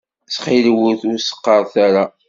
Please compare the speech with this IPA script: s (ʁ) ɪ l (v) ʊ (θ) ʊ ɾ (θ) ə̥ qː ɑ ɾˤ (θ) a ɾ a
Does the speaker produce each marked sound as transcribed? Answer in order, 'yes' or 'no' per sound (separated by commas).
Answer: no, no, yes, no, yes